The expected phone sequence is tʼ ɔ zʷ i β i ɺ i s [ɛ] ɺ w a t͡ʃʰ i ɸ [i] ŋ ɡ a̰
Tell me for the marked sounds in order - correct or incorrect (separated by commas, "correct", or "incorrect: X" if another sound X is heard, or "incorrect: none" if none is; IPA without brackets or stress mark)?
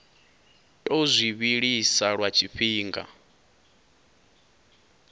incorrect: a, incorrect: iː